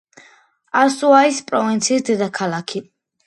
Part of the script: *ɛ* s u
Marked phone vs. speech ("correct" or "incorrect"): incorrect